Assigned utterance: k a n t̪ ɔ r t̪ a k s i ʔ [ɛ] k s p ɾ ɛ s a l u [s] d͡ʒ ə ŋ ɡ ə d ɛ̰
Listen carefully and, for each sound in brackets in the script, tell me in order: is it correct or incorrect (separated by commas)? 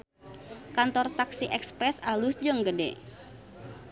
correct, correct